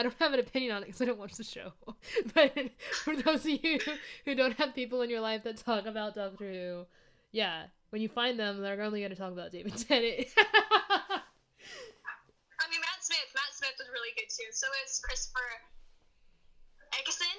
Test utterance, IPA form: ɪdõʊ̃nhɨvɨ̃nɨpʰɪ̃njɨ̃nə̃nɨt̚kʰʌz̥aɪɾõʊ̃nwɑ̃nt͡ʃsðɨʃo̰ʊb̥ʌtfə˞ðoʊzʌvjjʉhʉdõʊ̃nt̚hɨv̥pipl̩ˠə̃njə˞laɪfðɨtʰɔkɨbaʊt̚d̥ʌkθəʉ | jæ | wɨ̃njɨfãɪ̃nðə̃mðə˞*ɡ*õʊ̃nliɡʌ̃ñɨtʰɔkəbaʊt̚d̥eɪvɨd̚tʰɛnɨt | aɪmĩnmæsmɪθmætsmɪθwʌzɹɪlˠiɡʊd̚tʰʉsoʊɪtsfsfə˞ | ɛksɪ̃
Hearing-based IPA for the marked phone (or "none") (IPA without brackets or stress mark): ɡ